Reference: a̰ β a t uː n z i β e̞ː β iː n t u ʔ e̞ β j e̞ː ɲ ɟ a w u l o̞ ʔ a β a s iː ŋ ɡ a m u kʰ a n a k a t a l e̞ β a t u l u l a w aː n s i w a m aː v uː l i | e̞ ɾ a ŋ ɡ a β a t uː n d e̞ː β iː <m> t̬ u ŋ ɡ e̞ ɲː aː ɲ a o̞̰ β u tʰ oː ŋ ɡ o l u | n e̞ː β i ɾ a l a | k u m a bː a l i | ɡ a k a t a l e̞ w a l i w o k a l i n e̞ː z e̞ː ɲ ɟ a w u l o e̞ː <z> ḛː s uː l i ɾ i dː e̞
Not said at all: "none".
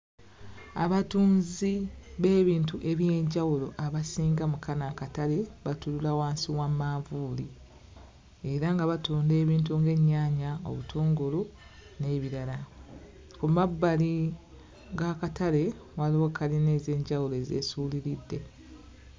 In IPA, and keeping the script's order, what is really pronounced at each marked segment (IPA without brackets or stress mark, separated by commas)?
n, z